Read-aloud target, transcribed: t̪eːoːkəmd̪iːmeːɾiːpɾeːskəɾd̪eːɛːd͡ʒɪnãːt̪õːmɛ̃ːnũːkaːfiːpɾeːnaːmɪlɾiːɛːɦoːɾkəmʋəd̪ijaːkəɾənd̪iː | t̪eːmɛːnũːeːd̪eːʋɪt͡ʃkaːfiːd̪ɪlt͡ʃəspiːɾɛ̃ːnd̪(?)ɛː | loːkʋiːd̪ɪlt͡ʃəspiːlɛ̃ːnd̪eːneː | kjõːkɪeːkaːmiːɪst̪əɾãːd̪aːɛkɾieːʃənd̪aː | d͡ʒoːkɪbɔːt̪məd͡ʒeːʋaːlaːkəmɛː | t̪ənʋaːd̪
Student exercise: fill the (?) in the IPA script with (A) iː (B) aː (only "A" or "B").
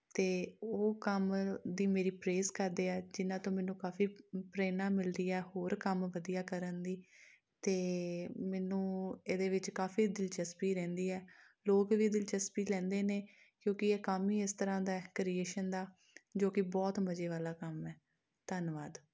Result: A